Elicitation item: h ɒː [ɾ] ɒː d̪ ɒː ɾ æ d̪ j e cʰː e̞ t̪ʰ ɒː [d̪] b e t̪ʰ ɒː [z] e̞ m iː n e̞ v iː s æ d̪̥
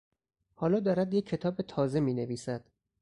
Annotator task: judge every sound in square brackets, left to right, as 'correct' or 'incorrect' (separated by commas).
incorrect, incorrect, correct